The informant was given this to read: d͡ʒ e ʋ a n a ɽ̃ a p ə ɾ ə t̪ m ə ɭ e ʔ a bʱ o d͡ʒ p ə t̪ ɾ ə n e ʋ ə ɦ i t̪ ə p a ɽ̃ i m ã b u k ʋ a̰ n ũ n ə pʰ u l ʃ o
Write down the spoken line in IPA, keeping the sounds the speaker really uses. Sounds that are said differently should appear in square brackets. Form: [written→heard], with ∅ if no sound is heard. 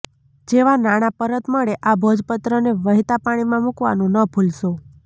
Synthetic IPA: d͡ʒ e ʋ a n a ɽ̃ a p ə ɾ ə t̪ m ə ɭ e ʔ a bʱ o d͡ʒ p ə t̪ ɾ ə n e ʋ ə ɦ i t̪ [ə→a] p a ɽ̃ i m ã [b→m] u k ʋ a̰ n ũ n ə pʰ u l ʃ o